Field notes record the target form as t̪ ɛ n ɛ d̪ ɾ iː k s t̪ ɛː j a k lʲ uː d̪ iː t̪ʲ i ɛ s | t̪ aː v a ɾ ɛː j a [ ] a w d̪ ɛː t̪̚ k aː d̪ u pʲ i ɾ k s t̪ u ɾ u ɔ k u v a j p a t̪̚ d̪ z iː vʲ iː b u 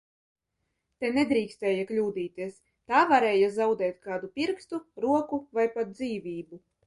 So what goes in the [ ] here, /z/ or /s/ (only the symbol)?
z